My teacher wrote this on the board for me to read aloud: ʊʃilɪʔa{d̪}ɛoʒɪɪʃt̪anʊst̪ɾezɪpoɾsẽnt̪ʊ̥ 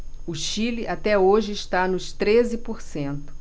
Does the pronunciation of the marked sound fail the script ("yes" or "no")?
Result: yes